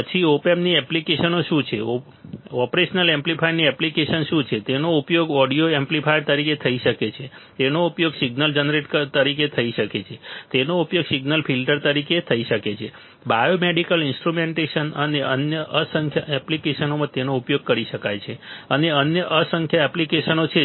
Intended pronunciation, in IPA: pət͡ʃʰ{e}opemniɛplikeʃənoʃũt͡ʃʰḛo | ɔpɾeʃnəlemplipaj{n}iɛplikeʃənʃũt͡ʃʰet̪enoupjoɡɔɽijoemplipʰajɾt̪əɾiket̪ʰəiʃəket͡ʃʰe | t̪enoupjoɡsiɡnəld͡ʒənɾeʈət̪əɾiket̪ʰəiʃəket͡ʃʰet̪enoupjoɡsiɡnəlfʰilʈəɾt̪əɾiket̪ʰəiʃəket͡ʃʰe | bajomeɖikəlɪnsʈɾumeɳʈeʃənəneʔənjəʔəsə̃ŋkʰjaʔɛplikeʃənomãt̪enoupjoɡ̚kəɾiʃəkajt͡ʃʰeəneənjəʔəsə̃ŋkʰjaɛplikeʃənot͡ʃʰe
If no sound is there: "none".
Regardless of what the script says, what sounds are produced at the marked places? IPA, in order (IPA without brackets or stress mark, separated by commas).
i, n